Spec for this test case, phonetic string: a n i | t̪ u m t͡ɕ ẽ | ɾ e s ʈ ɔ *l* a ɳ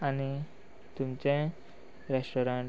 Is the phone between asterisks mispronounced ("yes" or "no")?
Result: yes